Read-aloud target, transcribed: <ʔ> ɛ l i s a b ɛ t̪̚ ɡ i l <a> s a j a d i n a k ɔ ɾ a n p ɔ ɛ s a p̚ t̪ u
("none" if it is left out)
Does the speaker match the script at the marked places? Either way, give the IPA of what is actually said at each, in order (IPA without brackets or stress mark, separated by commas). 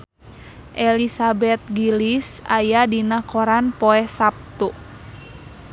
ʔ, i